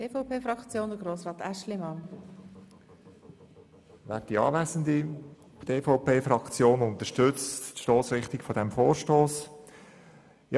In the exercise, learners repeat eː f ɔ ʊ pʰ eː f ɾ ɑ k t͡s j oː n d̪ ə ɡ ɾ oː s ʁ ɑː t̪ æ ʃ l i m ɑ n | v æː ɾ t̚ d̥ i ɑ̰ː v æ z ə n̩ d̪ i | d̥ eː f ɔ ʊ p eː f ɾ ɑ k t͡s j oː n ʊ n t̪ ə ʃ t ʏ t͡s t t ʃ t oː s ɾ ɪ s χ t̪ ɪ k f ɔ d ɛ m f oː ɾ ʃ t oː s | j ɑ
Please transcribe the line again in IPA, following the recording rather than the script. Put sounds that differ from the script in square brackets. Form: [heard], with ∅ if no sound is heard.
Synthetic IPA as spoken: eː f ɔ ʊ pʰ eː f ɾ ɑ k t͡s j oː n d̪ ə ɡ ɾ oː s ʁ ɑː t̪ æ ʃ l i m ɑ n | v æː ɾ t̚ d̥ i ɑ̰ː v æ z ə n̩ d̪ i | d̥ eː f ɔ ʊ p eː f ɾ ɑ k t͡s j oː n ʊ n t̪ ə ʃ t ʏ t͡s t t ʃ t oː s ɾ ɪ [∅] χ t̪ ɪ k f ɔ d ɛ m f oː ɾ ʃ t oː s | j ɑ